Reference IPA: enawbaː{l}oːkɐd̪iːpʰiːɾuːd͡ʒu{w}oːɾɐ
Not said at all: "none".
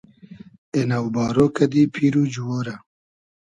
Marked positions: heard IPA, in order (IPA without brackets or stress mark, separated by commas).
ɾ, w